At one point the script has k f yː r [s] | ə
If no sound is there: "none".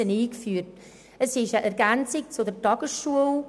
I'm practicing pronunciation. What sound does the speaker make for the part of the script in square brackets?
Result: t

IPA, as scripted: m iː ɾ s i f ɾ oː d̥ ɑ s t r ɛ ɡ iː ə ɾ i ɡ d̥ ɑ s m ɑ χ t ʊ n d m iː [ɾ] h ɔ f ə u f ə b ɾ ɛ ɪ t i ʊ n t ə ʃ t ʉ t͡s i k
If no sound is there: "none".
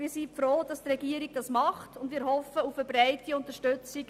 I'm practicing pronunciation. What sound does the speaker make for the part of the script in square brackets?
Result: ɾ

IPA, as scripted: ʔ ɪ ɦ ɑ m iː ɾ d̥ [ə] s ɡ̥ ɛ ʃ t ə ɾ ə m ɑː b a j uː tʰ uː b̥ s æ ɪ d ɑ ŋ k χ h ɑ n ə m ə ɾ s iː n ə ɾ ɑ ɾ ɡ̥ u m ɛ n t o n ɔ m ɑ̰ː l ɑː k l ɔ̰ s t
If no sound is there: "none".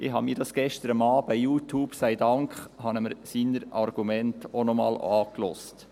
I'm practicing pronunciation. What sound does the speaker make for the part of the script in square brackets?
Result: ɑ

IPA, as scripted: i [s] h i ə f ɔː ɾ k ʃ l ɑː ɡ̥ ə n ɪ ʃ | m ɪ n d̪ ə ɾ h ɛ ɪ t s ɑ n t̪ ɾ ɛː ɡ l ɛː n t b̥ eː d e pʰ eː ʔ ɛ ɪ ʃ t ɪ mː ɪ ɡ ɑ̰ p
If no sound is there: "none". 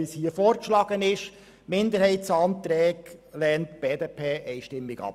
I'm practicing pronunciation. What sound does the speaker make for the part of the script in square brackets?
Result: s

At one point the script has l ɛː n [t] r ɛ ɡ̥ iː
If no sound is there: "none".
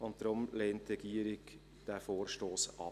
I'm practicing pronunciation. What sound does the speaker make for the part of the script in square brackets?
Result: t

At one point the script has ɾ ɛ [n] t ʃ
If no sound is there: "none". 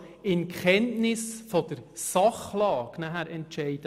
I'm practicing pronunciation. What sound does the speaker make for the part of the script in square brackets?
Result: n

